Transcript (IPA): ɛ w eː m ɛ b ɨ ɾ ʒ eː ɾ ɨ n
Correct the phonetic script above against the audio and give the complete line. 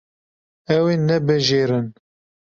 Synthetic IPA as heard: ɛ w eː n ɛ b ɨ ʒ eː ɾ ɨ n